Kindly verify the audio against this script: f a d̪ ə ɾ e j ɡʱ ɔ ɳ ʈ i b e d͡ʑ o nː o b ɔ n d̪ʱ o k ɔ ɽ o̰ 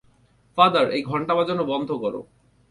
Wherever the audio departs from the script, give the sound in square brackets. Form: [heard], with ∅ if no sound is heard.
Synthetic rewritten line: f a d̪ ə ɾ e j ɡʱ ɔ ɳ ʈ [a] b [a] d͡ʑ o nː o b ɔ n d̪ʱ o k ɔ [ɾ] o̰